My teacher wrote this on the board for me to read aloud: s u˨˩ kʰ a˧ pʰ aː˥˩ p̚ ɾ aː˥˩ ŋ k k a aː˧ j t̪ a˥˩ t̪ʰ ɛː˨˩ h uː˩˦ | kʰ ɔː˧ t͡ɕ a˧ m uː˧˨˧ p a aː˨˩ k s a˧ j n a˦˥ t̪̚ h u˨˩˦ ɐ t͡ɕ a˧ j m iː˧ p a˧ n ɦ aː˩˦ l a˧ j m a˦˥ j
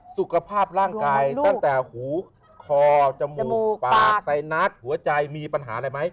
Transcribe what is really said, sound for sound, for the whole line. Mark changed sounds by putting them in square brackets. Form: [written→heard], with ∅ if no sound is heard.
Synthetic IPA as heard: s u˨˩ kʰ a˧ pʰ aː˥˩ p̚ ɾ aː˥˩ ŋ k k a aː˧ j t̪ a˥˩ [t̪ʰ→t̪] ɛː˨˩ h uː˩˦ | kʰ ɔː˧ t͡ɕ a˧ m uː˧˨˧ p a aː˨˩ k s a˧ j n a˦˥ t̪̚ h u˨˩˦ ɐ t͡ɕ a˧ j m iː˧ p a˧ n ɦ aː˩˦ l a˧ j m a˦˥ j